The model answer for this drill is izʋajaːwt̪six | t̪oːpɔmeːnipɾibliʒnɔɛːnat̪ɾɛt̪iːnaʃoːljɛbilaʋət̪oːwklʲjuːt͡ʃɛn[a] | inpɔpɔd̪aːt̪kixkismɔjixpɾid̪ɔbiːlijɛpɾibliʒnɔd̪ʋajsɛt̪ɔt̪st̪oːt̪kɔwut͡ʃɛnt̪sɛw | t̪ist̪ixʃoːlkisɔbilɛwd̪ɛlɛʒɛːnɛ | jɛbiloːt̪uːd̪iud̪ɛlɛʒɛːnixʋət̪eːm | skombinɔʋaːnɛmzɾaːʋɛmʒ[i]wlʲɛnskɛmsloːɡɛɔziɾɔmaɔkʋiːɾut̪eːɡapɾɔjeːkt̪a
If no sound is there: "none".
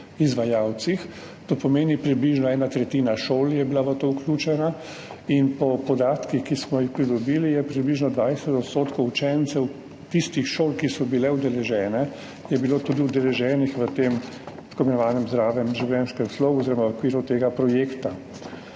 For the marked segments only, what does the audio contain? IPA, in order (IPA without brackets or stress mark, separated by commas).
a, i